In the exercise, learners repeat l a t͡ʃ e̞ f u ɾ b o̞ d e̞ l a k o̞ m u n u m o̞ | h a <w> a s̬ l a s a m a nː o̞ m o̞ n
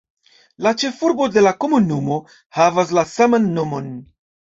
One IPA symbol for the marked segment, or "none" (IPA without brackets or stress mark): v